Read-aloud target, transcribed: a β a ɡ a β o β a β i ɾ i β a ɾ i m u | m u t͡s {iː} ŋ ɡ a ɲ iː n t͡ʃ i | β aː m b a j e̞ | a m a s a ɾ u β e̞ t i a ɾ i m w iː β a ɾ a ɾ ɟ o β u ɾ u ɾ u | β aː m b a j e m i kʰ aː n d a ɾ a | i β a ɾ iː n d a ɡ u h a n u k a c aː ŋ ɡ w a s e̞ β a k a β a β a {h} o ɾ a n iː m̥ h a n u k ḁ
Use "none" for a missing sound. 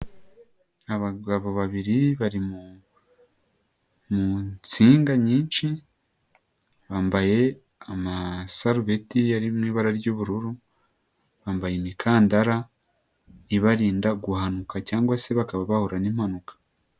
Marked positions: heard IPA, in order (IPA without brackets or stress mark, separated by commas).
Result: iː, h